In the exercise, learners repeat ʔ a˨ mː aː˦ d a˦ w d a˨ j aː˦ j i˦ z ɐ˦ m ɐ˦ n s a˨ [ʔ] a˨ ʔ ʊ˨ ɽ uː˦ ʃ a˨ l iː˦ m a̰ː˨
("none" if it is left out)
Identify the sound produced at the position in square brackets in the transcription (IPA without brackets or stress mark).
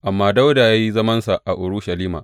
ʔ